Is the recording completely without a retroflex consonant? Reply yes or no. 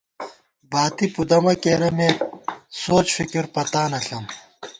yes